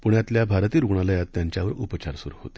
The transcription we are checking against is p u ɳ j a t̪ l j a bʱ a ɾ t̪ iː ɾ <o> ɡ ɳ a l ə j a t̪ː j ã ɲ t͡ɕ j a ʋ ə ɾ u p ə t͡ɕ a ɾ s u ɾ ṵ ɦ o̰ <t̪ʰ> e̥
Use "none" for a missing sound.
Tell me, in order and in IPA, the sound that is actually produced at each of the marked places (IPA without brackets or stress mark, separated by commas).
u, t̪